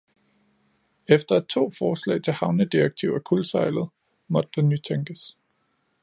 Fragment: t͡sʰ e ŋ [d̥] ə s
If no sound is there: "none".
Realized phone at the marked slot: ɡ̥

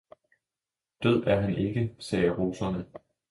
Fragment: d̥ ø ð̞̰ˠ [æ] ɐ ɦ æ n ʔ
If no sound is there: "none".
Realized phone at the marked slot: æ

